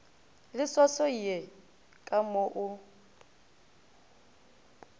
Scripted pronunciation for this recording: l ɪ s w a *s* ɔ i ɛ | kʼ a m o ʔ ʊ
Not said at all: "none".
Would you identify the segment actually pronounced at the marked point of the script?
s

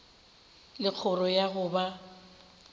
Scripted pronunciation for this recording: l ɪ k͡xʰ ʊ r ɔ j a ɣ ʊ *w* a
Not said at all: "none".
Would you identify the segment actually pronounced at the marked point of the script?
b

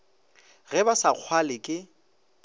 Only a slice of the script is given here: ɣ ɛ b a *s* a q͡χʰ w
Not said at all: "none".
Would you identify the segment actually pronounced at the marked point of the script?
s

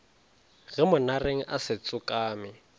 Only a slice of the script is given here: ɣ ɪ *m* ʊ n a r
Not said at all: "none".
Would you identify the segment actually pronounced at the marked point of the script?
m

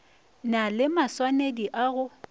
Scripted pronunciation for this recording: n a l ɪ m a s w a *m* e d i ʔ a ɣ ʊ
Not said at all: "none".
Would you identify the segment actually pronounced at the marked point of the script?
n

